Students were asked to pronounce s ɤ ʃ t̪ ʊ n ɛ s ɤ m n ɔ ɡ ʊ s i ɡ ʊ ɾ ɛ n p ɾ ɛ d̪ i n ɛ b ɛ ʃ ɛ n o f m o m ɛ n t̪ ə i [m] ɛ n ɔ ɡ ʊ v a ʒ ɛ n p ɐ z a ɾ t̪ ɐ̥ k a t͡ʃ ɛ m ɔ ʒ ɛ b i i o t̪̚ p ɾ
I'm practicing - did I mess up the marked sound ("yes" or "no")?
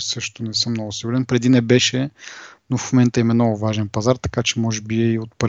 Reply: no